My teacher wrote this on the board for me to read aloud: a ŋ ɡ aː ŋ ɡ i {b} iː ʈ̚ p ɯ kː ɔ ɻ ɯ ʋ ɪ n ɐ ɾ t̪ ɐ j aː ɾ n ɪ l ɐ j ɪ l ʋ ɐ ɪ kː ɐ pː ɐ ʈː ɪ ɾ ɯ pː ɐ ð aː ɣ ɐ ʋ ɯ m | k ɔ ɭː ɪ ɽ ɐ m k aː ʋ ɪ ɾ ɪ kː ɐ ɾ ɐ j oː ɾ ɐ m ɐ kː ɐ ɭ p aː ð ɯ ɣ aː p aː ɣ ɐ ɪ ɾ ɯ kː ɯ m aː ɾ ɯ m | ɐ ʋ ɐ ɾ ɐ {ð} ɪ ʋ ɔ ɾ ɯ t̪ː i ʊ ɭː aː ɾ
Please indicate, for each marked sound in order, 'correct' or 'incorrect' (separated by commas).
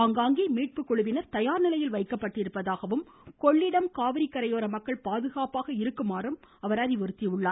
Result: incorrect, correct